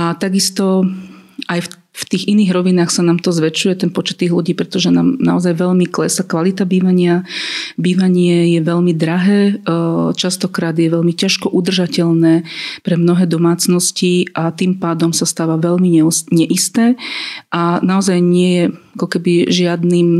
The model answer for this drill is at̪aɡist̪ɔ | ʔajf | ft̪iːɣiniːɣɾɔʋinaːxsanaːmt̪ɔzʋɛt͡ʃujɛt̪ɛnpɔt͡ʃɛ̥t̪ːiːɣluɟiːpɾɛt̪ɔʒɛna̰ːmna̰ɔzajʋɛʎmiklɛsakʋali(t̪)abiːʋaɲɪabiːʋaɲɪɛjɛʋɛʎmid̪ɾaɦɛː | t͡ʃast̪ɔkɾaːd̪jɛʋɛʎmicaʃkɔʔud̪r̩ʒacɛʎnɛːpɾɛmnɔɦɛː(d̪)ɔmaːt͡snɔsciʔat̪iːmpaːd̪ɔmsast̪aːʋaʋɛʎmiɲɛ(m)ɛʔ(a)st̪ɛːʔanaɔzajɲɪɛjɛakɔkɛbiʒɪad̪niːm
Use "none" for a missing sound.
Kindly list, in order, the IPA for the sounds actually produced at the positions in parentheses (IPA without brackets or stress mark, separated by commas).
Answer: t̪, d̪, ɲ, i